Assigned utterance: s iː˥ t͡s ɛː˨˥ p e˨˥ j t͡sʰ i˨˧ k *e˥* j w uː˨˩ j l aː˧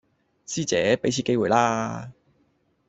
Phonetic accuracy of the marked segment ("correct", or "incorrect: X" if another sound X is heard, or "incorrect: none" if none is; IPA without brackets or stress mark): correct